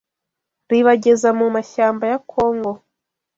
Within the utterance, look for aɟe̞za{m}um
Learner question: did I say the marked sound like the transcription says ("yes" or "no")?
yes